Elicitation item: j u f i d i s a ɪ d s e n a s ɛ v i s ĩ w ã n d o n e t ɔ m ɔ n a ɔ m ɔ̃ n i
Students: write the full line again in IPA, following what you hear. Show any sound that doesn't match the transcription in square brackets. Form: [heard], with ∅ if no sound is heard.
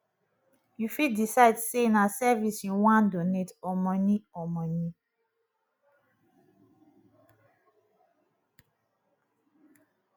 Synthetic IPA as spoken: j u f i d i s a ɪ d s e n a s ɛ v i s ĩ w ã n d o n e t ɔ m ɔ n [i] ɔ m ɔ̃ n i